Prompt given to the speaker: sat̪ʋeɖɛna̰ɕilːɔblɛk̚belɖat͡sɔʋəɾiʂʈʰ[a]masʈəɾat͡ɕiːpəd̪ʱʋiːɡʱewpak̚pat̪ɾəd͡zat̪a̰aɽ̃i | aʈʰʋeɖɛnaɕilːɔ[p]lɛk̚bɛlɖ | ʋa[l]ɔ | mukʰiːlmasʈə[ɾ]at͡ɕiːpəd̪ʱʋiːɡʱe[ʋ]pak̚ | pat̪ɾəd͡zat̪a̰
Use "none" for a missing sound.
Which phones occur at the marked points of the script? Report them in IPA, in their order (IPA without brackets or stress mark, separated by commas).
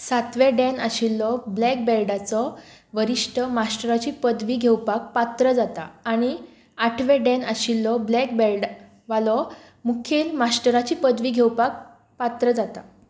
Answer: ə, b, l, ɾ, w